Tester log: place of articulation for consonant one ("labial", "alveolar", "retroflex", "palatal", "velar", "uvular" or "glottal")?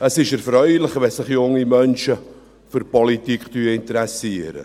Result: alveolar